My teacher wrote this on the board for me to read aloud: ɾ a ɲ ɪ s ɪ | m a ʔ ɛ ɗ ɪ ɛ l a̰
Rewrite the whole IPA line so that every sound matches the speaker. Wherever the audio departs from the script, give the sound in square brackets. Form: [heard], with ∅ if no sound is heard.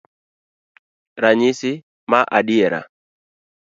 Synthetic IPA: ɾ a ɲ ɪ s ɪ | m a ʔ [a] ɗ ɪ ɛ [ɾ] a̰